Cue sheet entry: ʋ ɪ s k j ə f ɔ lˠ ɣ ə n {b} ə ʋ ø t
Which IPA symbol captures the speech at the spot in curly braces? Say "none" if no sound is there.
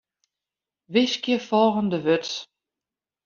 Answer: d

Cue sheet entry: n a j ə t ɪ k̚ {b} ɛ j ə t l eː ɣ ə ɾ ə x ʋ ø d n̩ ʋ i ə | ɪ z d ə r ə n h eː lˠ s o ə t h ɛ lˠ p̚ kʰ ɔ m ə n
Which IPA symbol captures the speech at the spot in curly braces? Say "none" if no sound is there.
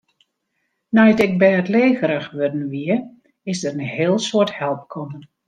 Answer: b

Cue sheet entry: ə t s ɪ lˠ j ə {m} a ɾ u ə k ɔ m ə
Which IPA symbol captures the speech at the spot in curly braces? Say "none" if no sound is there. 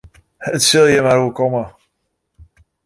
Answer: m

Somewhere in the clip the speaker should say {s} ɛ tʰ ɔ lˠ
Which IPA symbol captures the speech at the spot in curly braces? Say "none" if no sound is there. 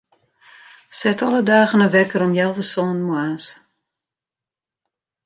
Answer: s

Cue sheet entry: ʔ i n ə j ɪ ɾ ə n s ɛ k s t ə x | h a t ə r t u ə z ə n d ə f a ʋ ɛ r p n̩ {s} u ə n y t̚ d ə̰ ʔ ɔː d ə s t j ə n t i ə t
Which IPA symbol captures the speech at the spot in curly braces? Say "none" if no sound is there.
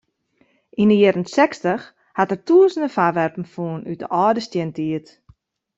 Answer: f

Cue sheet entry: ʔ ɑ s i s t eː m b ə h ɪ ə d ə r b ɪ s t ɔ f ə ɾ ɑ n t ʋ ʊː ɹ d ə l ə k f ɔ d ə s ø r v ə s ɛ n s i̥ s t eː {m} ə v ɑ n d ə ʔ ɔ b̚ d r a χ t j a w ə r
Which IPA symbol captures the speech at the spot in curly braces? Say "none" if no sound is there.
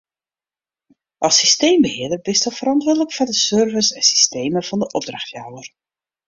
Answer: m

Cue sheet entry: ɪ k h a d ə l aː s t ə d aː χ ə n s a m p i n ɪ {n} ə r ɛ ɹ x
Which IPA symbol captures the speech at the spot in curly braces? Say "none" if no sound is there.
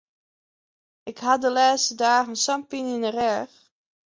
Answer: n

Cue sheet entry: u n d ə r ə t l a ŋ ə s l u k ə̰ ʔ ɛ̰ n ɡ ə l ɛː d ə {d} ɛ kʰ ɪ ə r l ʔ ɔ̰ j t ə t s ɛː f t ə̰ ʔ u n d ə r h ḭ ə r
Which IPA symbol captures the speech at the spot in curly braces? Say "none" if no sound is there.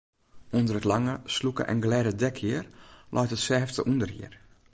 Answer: d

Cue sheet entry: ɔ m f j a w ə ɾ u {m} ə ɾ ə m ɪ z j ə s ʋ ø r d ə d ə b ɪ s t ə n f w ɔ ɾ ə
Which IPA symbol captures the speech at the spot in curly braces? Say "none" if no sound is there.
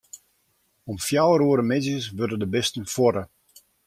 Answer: none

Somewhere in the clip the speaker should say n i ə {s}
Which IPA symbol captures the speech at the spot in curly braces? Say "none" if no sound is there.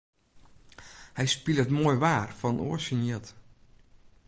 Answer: t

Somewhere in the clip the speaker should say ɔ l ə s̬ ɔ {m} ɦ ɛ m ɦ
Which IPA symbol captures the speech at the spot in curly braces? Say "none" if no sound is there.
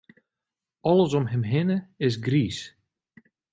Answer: m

